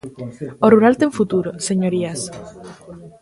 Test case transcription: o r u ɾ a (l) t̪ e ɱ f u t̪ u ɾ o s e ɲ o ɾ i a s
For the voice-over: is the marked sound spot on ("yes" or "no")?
yes